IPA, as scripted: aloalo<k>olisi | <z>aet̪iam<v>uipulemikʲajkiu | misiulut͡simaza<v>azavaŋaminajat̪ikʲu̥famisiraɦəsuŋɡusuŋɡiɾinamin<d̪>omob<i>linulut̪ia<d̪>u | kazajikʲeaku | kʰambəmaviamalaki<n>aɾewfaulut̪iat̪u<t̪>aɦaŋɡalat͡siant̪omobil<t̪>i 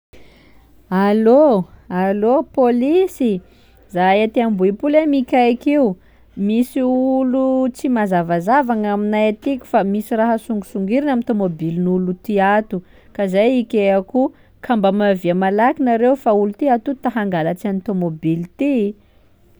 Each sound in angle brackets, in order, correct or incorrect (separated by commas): incorrect, correct, incorrect, correct, incorrect, correct, incorrect, correct, correct, correct